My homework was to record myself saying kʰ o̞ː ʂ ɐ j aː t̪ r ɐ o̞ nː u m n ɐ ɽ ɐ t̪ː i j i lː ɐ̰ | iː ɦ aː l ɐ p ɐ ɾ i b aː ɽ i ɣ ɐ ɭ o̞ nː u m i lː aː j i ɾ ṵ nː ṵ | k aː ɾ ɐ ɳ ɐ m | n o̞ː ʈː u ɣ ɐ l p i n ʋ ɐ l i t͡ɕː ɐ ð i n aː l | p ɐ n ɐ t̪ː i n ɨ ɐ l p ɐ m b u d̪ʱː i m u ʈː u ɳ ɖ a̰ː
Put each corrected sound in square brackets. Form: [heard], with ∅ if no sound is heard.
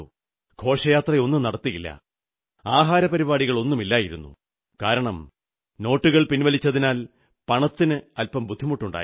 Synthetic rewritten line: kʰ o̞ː ʂ ɐ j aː t̪ r ɐ o̞ nː u m n ɐ ɽ ɐ t̪ː i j i lː ɐ̰ | [aː] ɦ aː [ɾ] ɐ p ɐ ɾ i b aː ɽ i ɣ ɐ ɭ o̞ nː u m i lː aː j i ɾ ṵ nː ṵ | k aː ɾ ɐ ɳ ɐ m | n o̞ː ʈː u ɣ ɐ [ɭ] p i n ʋ ɐ l i t͡ɕː ɐ ð i n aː l | p ɐ [ɳ] ɐ t̪ː i n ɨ ɐ l p ɐ m b u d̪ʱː i m u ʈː u ɳ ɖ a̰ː